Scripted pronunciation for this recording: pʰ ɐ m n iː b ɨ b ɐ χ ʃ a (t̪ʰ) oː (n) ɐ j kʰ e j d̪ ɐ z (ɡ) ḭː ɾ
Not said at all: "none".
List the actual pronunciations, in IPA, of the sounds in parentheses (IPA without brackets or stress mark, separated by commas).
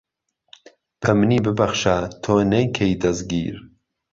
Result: t̪ʰ, n, ɡ